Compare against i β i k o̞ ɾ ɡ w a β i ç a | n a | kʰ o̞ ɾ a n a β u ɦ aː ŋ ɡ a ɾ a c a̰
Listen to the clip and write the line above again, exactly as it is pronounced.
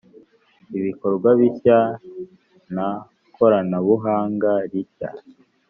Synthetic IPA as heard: i β i k o̞ ɾ ɡ w a β i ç a | n a | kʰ o̞ ɾ a n a β u ɦ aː ŋ ɡ a ɾ i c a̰